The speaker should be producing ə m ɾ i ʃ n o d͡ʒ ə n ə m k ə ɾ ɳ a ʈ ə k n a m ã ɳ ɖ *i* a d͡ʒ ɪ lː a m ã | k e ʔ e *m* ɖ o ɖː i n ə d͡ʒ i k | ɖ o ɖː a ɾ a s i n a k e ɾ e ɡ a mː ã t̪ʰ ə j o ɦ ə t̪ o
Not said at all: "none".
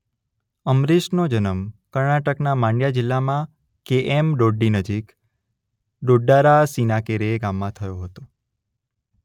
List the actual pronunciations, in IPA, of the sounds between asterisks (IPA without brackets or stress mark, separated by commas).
j, m